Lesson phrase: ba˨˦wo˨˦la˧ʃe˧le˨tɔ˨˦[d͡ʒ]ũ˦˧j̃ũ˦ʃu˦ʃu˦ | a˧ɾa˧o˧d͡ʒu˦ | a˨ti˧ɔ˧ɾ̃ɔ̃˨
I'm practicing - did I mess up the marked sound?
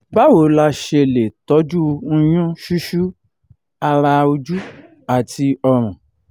no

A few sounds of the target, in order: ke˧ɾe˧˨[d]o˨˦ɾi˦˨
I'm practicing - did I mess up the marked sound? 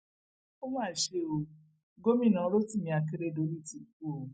no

